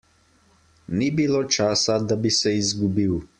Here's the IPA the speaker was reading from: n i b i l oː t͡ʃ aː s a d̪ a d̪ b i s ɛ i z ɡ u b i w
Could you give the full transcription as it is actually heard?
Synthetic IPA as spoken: n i b i l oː t͡ʃ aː s a d̪ a b i s ɛ i z ɡ u b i w

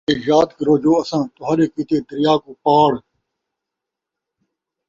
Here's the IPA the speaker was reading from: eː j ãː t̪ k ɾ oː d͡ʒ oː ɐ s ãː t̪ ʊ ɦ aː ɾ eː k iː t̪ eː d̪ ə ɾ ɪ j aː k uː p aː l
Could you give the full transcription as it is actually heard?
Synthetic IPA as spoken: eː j aː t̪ k ɾ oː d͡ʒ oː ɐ s ãː t̪ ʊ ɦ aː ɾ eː k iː t̪ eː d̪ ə ɾ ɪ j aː k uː p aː ɽ

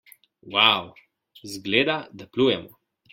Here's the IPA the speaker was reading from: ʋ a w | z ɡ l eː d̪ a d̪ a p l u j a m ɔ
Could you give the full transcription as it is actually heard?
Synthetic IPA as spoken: w a w | z ɡ l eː d̪ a d̪ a p l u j ɛ m ɔ

